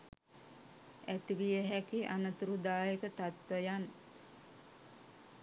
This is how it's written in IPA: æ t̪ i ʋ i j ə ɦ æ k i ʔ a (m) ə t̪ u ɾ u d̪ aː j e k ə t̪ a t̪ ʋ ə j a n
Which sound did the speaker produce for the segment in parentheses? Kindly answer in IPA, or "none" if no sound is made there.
n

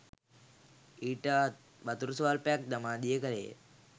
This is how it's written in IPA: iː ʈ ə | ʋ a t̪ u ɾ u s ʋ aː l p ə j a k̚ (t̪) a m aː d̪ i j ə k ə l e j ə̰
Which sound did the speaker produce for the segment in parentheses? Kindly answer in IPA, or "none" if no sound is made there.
d̪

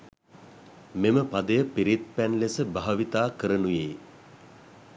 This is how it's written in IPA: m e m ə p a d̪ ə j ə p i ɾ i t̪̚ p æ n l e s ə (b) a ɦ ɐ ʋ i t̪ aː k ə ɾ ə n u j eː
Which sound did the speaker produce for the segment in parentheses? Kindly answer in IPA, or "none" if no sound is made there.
b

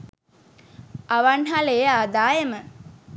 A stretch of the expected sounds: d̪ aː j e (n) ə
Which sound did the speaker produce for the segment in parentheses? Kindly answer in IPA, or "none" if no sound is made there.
m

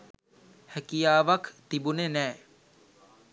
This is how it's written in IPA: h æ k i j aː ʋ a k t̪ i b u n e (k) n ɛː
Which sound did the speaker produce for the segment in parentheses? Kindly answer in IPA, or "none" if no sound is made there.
none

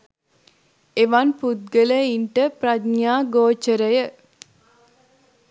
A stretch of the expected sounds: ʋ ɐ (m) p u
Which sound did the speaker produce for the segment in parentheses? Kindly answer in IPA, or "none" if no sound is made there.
n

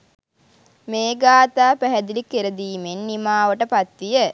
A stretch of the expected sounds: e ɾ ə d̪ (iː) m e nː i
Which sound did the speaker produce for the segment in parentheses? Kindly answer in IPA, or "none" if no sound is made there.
iː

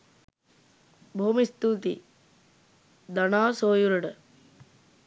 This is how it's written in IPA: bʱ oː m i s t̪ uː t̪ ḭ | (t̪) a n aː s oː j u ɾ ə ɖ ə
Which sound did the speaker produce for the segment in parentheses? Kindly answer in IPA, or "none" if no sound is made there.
d̪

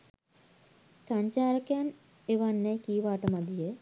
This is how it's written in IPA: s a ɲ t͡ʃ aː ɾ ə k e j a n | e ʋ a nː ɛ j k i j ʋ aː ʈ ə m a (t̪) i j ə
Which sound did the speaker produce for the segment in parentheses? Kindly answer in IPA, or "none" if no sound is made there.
d̪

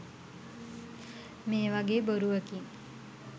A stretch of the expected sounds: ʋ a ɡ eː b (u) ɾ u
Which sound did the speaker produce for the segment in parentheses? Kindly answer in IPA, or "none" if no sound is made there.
o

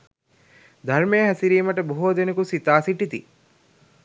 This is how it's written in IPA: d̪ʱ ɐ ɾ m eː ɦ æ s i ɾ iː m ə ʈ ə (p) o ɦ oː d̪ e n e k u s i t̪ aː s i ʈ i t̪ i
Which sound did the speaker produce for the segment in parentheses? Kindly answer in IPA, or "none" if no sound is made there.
b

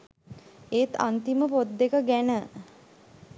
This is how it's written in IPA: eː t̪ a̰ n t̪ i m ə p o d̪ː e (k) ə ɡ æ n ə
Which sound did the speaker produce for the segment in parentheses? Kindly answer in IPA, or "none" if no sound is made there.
k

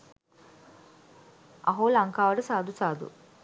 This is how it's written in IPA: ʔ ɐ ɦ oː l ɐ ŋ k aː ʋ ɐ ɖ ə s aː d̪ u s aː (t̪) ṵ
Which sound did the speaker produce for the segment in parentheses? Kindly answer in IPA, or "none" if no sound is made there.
d̪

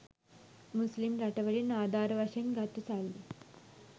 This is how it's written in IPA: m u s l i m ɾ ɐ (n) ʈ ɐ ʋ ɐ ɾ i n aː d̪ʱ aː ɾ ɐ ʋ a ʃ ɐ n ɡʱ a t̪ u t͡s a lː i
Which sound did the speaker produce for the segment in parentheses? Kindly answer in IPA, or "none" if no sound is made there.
none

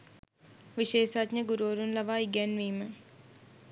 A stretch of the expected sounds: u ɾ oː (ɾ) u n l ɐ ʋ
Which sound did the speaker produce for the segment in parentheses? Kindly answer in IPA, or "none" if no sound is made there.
ɾ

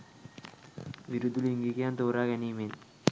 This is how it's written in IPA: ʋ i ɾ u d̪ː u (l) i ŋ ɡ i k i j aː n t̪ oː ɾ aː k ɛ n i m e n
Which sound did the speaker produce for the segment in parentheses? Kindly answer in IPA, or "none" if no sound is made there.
l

